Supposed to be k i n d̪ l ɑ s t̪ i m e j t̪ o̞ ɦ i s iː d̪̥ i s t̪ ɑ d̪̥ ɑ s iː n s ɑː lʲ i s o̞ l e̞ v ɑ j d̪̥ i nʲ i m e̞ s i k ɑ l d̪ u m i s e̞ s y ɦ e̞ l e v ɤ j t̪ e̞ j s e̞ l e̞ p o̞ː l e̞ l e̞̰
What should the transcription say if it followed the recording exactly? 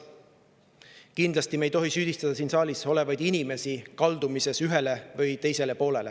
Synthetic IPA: k i n d̪ l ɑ s t̪ i m e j t̪ o̞ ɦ i s yː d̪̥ i s t̪ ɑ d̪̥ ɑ s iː n s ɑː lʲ i s o̞ l e̞ v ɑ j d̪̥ i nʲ i m e̞ s i k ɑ l d̪ u m i s e̞ s y ɦ e̞ l e v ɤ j t̪ e̞ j s e̞ l e̞ p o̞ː l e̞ l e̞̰